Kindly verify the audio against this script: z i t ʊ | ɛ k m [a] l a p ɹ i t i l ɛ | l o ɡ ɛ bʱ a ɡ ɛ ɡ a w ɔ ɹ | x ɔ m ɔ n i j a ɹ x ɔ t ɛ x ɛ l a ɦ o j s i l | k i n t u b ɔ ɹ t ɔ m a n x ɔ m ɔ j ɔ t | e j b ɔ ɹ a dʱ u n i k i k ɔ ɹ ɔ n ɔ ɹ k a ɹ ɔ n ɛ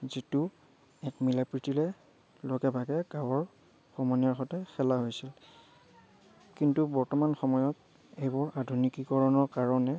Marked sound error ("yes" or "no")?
yes